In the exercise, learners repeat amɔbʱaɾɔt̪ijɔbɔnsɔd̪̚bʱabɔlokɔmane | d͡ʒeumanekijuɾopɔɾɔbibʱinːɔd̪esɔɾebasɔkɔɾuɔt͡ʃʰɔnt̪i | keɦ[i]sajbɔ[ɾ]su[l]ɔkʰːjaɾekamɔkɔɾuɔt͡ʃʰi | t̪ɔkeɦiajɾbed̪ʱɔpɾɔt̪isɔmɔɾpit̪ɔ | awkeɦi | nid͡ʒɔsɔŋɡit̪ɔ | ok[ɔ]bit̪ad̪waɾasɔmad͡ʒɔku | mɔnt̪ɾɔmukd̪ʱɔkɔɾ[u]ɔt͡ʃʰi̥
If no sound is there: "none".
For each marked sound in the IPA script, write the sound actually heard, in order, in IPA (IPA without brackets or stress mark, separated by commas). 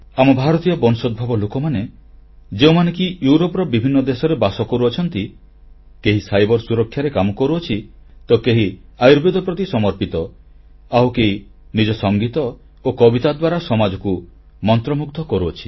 i, ɾ, ɾ, ɔ, u